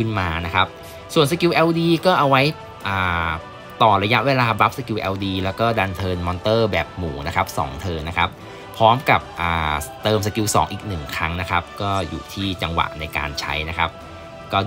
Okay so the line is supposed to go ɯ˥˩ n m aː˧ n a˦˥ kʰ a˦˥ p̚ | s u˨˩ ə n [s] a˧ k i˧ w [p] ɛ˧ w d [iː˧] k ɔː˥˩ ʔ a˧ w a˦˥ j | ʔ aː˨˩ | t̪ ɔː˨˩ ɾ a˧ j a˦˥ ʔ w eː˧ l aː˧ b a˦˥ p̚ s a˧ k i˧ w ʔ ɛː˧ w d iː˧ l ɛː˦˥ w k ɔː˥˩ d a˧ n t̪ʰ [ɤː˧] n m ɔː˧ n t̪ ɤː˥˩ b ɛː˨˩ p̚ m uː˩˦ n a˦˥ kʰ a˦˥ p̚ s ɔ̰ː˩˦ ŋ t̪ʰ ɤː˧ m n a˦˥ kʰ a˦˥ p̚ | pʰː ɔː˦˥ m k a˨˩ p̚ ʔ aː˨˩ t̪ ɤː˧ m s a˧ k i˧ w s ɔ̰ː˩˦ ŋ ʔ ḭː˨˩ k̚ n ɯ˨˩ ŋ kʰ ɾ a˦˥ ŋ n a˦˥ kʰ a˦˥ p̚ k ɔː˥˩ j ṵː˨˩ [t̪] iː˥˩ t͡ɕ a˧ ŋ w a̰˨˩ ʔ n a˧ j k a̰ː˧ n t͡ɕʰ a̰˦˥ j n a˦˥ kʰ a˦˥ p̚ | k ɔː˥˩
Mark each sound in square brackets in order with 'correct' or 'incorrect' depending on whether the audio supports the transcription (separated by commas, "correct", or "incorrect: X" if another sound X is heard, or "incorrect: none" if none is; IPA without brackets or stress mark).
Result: correct, incorrect: ʔ, correct, correct, incorrect: t̪ʰ